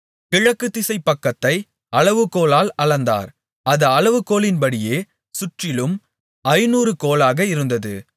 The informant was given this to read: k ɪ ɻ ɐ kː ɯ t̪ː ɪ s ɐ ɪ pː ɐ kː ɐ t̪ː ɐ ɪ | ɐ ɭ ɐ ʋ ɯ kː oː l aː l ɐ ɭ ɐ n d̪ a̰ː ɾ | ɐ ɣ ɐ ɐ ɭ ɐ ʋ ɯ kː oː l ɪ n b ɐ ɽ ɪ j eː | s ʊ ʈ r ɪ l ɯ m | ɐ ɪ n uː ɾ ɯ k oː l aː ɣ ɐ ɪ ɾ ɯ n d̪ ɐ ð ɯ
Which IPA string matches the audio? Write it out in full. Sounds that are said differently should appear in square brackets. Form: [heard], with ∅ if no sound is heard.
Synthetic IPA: k ɪ ɻ ɐ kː ɯ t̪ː ɪ s ɐ ɪ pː ɐ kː ɐ t̪ː ɐ ɪ | ɐ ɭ ɐ ʋ ɯ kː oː l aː l ɐ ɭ ɐ n d̪ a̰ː ɾ | ɐ [ð] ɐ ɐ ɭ ɐ ʋ ɯ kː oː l ɪ n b ɐ ɽ ɪ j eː | s ʊ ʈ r ɪ l ɯ m | ɐ ɪ n uː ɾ ɯ k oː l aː ɣ ɐ ɪ ɾ ɯ n d̪ ɐ ð ɯ